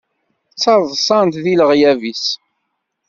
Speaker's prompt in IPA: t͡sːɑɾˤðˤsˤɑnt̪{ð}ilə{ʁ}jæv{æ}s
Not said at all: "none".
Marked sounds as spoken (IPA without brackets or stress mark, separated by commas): ð, ʁ, i